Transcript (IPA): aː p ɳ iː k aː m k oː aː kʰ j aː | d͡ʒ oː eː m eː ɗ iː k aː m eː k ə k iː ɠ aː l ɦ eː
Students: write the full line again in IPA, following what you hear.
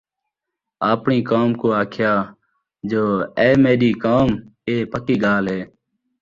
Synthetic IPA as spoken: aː p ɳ iː k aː m k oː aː kʰ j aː | d͡ʒ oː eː m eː ɗ iː k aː m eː p ə k iː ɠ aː l ɦ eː